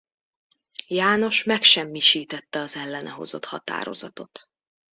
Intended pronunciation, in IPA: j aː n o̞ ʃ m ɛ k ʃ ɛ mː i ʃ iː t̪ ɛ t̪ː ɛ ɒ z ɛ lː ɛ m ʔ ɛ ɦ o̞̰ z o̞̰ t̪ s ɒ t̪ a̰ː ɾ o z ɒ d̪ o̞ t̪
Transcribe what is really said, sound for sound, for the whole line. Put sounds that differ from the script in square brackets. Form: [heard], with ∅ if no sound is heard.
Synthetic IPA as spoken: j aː n o̞ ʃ m ɛ k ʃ ɛ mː i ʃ iː t̪ ɛ t̪ː ɛ ɒ z ɛ lː ɛ [n] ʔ ɛ ɦ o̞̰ z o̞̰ t̪ [h] ɒ t̪ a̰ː ɾ o z ɒ [t̪] o̞ t̪

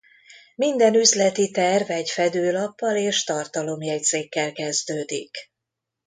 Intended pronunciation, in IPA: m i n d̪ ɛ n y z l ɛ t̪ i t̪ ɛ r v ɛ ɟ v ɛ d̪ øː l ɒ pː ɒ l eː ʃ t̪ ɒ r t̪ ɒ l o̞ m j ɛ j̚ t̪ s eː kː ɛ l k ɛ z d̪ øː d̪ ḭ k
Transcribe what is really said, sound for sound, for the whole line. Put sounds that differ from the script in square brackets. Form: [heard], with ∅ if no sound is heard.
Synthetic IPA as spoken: m i n d̪ ɛ n y z l ɛ t̪ i t̪ ɛ r v ɛ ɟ [f] ɛ d̪ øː l ɒ pː ɒ l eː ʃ t̪ ɒ r t̪ ɒ l o̞ m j ɛ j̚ t̪ s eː kː ɛ l k ɛ z d̪ øː d̪ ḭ k

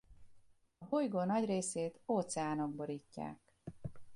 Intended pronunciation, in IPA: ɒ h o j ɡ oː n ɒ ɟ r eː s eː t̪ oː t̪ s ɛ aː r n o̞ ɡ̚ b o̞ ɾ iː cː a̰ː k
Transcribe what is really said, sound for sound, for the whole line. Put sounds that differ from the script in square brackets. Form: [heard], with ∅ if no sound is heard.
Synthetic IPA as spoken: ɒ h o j ɡ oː n ɒ ɟ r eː s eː t̪ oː t̪ s ɛ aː [∅] n o̞ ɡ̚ b o̞ ɾ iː cː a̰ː k

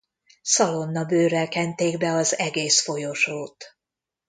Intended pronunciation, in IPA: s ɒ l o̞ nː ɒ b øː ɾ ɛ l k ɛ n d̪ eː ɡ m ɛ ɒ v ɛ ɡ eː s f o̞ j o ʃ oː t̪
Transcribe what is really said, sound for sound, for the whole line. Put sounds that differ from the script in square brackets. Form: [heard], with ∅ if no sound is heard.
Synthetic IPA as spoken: s ɒ l o̞ nː ɒ b øː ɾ ɛ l k ɛ n [t̪] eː ɡ [b] ɛ ɒ [z] ɛ ɡ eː s f o̞ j o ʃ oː t̪

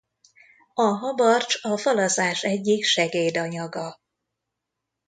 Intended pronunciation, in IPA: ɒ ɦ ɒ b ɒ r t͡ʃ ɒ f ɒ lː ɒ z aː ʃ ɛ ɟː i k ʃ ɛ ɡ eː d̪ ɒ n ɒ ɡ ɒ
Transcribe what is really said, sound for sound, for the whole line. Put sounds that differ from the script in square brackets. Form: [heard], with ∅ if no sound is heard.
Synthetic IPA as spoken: ɒ ɦ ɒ b ɒ r t͡ʃ ɒ f ɒ [l] ɒ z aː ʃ ɛ ɟː i k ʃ ɛ ɡ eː d̪ ɒ [ɲ] ɒ ɡ ɒ

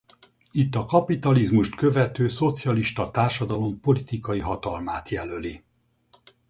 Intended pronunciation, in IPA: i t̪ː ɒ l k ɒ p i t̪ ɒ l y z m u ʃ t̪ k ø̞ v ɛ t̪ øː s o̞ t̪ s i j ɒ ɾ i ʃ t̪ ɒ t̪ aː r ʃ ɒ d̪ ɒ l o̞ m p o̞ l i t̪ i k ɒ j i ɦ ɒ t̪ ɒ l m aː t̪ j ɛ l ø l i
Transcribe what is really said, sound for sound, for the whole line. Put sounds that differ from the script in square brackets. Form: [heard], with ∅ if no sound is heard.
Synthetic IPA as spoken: i t̪ː ɒ [∅] k ɒ p i t̪ ɒ l [i] z m u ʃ t̪ k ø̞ v ɛ t̪ øː s o̞ t̪ s i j ɒ [l] i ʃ t̪ ɒ t̪ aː r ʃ ɒ d̪ ɒ l o̞ m p o̞ l i t̪ i k ɒ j i ɦ ɒ t̪ ɒ l m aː t̪ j ɛ l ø l i

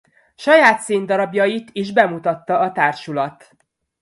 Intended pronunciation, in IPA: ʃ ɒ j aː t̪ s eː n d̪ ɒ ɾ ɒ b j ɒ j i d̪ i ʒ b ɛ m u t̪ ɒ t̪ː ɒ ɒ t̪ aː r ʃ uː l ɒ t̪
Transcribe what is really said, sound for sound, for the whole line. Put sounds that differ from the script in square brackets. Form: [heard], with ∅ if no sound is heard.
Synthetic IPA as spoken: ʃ ɒ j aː t̪ s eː n d̪ ɒ ɾ ɒ b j ɒ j i [t̪] i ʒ b ɛ m u t̪ ɒ t̪ː ɒ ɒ t̪ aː r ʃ [u] l ɒ t̪

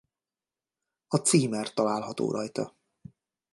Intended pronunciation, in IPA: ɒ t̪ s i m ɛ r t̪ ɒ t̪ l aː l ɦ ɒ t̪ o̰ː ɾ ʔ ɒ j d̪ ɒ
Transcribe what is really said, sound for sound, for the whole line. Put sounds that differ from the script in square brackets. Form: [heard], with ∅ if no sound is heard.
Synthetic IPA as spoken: ɒ t̪ s [iː] m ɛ r t̪ ɒ [∅] l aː l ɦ ɒ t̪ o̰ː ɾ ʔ ɒ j [t̪] ɒ

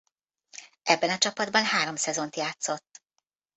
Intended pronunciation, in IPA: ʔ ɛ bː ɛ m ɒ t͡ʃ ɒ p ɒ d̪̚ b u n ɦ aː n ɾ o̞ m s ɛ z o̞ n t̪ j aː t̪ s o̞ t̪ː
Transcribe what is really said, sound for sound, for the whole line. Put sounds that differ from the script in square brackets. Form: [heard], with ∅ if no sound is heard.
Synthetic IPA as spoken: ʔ ɛ bː ɛ [n] ɒ t͡ʃ ɒ p ɒ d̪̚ b [ɒ] n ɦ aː [∅] ɾ o̞ m s ɛ z o̞ n t̪ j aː t̪ s o̞ t̪ː

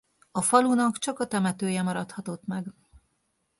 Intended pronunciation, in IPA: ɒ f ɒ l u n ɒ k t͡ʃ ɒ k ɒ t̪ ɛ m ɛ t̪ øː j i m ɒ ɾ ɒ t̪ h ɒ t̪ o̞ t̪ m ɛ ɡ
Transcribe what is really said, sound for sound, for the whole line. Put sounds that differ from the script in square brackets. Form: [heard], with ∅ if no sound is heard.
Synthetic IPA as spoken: ɒ f ɒ l u n ɒ k t͡ʃ ɒ k ɒ t̪ ɛ m ɛ t̪ øː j [ɛ] m ɒ ɾ ɒ t̪ h ɒ t̪ o̞ t̪ m ɛ ɡ

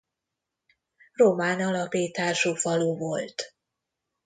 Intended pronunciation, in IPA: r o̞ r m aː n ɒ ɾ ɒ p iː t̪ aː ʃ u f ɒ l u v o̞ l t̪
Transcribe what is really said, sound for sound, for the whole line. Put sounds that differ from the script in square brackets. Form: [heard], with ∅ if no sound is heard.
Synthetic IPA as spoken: r o̞ [∅] m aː n ɒ [l] ɒ p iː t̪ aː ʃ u f ɒ l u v o̞ l t̪

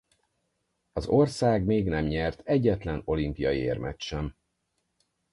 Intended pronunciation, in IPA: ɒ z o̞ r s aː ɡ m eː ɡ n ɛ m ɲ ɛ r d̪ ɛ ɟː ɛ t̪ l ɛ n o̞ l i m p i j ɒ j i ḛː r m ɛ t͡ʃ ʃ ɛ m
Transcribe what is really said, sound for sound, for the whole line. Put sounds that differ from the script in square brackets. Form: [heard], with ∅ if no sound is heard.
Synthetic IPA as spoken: ɒ z o̞ r s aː ɡ m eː ɡ n ɛ m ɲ ɛ r [t̪] ɛ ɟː ɛ t̪ l ɛ n o̞ l i m p i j ɒ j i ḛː r m ɛ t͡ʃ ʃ ɛ m

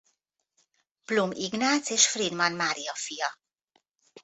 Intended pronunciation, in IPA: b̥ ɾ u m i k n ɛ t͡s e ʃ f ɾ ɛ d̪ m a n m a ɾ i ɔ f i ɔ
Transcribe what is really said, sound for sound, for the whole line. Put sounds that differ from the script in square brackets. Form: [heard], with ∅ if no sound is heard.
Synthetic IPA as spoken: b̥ [l] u m i [ɡ] n [a] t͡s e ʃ f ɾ [i] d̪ m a n m a ɾ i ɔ f i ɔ

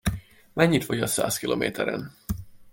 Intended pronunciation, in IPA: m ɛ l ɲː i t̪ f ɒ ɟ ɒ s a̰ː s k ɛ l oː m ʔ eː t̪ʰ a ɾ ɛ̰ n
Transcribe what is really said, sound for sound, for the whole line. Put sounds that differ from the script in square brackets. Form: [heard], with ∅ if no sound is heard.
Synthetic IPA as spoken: m ɛ [∅] ɲː i t̪ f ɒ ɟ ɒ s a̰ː s k [i] l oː m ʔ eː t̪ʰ [ɛ] ɾ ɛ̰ n

